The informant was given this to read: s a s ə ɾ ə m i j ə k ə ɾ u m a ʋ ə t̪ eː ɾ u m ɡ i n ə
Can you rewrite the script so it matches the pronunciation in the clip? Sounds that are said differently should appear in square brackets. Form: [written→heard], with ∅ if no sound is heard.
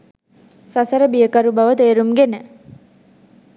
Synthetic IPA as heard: s a s ə ɾ ə [m→b] i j ə k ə ɾ u [m→b] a ʋ ə t̪ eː ɾ u m ɡ [i→e] n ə